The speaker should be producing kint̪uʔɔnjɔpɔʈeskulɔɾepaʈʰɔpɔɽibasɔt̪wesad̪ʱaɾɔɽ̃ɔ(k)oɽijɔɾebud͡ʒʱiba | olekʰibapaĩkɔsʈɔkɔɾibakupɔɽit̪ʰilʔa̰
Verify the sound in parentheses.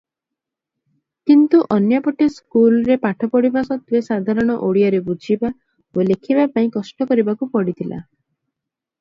incorrect: ʔ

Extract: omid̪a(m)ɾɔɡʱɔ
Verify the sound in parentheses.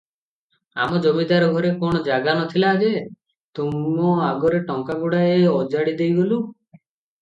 incorrect: none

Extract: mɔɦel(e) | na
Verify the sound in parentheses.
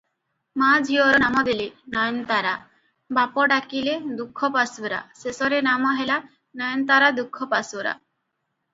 incorrect: a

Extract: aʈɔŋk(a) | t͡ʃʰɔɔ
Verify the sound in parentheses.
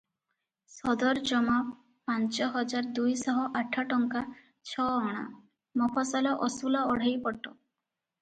correct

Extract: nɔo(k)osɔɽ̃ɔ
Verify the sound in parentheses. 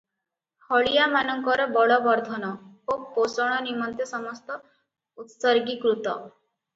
incorrect: p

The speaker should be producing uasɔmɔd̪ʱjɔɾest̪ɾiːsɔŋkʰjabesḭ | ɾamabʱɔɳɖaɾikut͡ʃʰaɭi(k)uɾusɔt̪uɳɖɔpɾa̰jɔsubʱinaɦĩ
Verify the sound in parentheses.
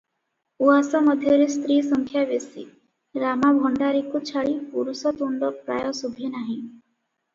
incorrect: p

